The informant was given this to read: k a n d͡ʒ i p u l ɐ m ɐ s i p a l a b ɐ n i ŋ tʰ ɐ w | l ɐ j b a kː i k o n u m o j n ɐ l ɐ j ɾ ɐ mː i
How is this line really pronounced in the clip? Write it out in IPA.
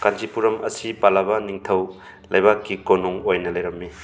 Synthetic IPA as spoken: k a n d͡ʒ i p u ɾ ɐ m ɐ s i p a l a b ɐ n i ŋ tʰ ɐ w | l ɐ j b a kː i k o n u ŋ o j n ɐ l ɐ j ɾ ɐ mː i